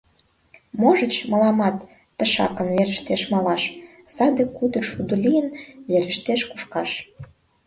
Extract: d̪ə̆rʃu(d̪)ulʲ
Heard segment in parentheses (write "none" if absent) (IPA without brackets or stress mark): d̪